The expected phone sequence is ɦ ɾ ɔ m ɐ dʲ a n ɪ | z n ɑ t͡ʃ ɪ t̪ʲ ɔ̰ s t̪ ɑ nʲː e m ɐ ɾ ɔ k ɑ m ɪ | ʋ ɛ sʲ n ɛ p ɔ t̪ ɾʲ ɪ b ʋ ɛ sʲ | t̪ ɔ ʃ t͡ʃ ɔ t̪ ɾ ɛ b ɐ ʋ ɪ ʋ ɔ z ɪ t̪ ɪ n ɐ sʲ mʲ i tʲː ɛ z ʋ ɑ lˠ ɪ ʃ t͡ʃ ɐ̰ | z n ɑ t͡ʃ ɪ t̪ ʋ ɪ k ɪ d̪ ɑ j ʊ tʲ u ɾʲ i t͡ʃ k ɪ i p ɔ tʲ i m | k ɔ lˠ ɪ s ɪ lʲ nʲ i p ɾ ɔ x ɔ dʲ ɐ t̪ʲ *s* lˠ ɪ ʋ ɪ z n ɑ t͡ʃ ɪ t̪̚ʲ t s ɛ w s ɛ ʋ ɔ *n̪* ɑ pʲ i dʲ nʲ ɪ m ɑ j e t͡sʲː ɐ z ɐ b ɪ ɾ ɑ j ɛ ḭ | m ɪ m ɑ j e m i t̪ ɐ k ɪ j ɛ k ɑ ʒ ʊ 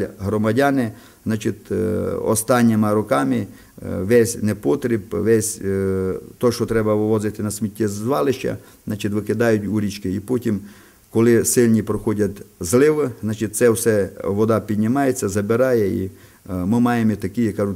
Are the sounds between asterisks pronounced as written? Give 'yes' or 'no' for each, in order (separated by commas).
no, no